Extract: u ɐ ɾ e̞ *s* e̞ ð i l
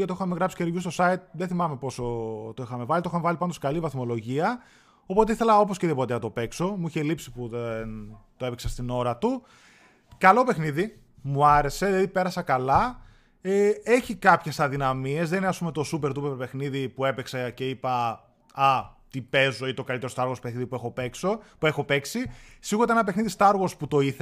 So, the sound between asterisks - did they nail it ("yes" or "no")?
yes